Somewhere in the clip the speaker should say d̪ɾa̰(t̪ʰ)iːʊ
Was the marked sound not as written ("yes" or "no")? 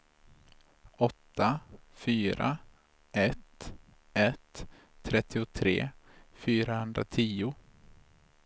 no